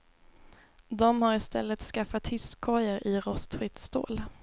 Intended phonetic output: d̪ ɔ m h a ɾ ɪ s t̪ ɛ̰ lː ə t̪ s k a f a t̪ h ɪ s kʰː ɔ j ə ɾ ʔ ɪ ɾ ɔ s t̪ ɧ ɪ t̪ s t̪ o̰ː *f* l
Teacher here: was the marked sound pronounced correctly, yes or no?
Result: no